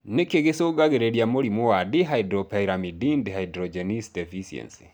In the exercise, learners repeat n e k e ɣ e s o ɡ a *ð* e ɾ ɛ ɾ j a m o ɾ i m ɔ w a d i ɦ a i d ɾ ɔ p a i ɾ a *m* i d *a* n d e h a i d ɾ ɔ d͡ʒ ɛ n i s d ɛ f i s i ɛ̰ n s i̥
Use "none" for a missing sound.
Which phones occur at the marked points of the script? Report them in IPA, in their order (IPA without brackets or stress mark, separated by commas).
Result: ɣ, m, i